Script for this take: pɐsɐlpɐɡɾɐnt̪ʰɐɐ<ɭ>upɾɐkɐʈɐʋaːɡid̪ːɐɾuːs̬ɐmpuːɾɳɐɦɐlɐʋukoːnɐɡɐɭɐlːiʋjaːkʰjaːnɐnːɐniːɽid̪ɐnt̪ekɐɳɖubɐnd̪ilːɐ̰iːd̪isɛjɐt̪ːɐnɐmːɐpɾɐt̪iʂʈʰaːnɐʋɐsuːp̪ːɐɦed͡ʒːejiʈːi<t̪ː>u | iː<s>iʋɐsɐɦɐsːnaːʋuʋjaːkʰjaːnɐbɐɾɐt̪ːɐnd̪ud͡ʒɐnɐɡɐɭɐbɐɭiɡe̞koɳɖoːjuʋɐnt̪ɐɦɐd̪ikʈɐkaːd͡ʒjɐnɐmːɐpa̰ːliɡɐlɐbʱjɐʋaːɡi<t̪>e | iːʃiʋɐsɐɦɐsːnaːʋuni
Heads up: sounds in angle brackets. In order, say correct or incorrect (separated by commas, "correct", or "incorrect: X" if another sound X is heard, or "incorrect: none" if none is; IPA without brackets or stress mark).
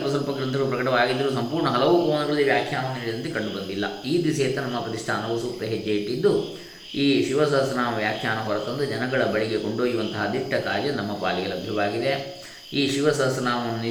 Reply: correct, incorrect: d̪ː, incorrect: ʃ, incorrect: d̪